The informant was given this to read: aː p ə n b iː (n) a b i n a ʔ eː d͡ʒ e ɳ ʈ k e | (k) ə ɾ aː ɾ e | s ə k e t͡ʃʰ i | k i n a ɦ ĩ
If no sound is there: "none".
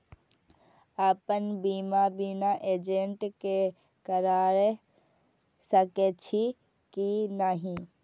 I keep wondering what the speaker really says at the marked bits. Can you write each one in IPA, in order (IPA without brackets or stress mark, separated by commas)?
m, k